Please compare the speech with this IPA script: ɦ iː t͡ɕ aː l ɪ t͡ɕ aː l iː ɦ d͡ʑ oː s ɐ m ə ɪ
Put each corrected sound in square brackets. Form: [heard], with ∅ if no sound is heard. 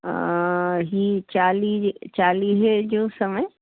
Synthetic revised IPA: ɦ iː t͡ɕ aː l [i] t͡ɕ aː l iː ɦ d͡ʑ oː s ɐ m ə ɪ